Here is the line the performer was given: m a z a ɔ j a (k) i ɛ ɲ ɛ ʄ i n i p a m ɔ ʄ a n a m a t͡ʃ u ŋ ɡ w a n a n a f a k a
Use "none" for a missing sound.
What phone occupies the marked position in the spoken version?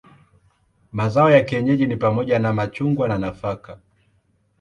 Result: k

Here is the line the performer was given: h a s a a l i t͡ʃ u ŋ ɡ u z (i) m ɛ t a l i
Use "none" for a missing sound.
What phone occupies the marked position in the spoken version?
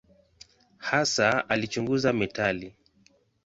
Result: a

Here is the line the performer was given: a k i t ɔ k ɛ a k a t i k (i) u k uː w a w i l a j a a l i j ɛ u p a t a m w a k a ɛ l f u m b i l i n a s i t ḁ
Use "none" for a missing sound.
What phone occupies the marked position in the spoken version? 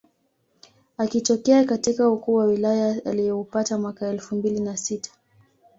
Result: a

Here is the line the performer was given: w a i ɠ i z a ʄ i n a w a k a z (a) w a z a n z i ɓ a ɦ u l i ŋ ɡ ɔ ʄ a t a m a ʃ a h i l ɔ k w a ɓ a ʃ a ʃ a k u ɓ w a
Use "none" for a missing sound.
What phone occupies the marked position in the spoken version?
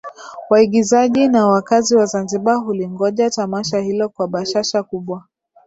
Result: i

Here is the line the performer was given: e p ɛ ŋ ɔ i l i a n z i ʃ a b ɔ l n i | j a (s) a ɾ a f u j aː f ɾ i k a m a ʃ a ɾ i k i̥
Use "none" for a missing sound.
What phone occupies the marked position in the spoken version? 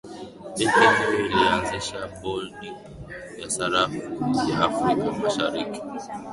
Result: s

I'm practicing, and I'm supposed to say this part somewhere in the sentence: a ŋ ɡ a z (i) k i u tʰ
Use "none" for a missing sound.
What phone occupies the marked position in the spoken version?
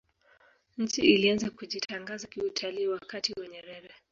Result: a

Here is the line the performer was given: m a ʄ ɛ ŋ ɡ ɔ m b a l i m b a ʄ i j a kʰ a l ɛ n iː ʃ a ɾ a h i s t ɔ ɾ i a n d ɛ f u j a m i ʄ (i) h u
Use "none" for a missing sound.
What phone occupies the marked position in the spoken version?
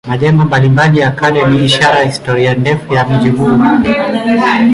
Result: i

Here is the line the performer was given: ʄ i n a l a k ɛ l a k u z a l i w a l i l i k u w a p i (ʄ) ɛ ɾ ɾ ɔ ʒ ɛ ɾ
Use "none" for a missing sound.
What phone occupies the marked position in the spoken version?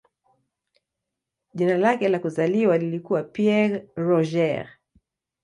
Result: none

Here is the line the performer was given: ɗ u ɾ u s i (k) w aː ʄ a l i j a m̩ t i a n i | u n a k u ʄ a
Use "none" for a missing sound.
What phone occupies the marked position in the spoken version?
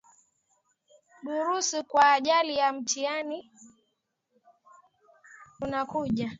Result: k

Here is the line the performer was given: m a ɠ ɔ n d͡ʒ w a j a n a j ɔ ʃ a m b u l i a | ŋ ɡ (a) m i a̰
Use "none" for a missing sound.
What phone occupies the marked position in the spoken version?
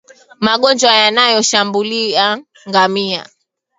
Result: a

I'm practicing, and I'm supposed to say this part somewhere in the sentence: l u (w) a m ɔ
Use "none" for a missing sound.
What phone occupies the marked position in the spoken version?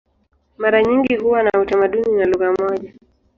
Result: ɣ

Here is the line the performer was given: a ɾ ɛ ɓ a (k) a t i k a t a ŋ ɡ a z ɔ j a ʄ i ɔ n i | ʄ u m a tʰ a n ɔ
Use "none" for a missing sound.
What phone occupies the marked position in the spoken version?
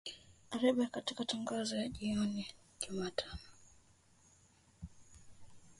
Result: k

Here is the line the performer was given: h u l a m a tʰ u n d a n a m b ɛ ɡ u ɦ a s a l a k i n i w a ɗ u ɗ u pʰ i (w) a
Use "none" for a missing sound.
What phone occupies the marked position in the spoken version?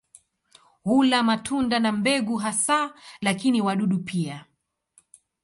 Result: none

